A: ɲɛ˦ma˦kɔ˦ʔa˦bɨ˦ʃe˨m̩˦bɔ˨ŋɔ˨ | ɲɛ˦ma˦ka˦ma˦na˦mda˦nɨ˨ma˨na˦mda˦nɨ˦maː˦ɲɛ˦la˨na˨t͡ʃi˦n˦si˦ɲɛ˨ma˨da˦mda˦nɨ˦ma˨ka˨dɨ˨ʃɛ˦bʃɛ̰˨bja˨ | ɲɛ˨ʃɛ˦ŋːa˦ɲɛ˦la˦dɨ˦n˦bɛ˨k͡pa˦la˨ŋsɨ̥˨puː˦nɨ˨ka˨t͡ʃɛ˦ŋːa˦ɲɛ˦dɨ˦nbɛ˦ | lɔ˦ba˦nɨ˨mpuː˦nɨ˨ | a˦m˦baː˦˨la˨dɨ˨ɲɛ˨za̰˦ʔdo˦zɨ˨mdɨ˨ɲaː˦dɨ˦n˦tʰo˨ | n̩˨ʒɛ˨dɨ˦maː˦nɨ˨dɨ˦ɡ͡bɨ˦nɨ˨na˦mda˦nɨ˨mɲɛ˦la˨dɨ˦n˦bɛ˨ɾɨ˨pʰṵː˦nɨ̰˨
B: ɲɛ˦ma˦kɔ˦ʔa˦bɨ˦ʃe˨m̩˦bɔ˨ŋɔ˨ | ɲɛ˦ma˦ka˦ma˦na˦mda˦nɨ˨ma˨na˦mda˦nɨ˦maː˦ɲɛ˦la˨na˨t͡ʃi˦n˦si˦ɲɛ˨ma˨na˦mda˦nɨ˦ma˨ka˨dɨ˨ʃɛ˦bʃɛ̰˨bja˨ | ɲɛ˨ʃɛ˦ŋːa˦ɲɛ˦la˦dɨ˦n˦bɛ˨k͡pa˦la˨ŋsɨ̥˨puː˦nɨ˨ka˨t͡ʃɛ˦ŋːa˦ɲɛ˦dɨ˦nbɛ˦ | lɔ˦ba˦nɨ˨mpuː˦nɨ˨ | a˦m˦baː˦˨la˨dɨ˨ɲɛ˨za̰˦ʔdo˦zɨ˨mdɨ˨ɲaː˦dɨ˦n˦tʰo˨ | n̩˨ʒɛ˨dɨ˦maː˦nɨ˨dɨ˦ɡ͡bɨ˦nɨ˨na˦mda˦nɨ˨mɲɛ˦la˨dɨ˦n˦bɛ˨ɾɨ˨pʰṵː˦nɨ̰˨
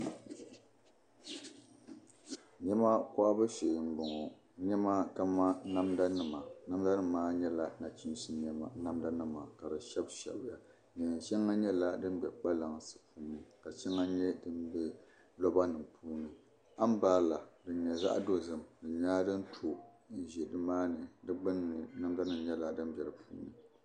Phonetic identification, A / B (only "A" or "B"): B